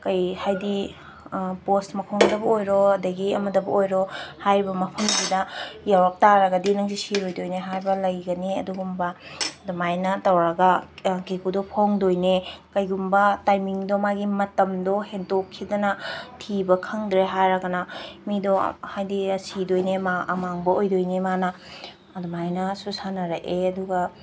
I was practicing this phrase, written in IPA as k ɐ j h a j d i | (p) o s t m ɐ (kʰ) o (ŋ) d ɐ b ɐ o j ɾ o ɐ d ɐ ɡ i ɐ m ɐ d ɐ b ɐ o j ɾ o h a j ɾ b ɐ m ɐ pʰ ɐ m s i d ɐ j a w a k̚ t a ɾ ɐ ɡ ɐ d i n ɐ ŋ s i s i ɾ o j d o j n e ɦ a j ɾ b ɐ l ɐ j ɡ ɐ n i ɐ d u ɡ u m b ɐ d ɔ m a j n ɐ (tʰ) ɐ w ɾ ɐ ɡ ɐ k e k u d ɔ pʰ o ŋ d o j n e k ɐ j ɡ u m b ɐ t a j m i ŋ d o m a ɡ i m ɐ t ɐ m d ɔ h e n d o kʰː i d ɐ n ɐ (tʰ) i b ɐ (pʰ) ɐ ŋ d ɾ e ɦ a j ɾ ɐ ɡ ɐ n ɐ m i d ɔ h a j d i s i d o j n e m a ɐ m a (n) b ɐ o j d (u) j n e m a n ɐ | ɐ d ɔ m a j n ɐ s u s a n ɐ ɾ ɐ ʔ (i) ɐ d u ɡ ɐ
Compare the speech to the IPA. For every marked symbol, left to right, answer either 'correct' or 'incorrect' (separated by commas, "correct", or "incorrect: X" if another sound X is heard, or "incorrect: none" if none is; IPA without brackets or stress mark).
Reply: correct, correct, correct, incorrect: t, correct, incorrect: kʰ, incorrect: ŋ, incorrect: o, incorrect: e